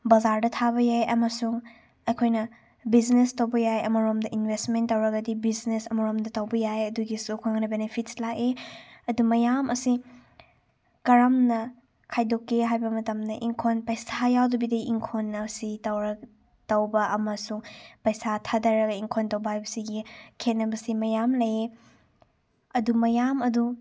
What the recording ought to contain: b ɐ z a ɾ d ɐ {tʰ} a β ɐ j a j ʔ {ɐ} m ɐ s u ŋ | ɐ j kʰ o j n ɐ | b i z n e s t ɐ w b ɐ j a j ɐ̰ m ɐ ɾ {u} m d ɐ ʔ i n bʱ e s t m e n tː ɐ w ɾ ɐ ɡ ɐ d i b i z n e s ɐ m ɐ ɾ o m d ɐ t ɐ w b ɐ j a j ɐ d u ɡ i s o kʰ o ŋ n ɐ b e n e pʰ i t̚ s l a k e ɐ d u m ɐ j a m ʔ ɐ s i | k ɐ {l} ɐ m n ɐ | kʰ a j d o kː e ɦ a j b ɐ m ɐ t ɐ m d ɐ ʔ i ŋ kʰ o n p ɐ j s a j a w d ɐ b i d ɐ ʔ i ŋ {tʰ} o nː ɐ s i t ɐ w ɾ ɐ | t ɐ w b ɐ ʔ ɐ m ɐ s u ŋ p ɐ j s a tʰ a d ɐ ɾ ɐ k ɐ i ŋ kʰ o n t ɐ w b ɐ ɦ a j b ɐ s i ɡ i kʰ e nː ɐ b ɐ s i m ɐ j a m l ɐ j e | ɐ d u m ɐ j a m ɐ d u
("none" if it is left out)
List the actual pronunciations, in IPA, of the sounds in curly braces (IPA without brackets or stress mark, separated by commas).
tʰ, ɐ, o, ɾ, kʰ